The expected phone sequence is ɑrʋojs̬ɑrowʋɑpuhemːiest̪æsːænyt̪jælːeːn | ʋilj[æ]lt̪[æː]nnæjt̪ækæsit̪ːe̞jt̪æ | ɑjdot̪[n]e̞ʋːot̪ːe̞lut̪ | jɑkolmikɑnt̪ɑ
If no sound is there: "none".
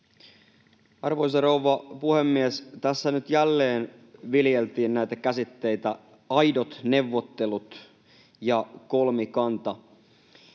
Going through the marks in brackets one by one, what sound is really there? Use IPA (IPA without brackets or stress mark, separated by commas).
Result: e, iː, n